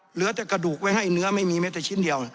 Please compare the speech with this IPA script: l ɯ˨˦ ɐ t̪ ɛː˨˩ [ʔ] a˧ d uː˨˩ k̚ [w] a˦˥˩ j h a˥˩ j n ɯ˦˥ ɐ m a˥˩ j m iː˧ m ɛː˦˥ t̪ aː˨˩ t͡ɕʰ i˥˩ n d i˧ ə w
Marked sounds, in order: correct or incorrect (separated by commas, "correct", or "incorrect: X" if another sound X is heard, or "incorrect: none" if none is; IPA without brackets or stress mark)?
incorrect: k, correct